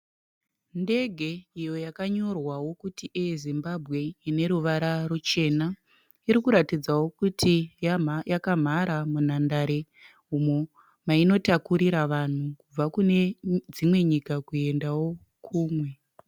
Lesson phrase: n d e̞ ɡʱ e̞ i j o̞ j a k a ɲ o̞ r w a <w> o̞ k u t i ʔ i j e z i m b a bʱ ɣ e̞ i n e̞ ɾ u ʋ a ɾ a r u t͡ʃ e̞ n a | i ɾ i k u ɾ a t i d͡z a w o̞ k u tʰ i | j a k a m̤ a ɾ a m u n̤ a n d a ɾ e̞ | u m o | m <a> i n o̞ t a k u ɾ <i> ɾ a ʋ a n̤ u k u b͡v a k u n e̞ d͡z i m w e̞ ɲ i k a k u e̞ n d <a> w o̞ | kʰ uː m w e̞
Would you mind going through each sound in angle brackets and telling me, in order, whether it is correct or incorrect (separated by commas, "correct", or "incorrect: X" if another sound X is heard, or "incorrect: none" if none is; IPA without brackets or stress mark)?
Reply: correct, correct, correct, correct